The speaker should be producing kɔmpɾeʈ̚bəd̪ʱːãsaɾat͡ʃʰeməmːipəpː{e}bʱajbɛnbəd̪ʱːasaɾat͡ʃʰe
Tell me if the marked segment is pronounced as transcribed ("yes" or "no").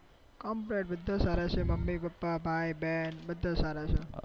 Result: no